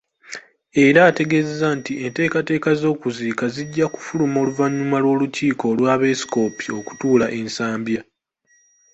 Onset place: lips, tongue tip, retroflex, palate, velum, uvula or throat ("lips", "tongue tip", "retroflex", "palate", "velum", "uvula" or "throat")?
tongue tip